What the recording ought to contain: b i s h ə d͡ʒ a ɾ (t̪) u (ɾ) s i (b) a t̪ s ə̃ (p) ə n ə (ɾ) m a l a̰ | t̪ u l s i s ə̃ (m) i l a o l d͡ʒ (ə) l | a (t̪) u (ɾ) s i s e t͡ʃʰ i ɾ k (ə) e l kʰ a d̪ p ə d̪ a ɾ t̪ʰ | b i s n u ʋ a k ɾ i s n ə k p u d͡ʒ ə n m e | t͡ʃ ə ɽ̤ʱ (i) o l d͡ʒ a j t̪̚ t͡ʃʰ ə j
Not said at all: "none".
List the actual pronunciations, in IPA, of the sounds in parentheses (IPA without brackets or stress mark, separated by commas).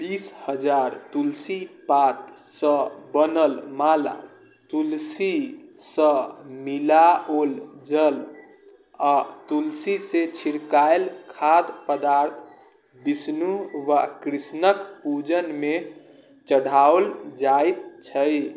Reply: t̪, l, p, b, l, m, ə, t̪, l, a, a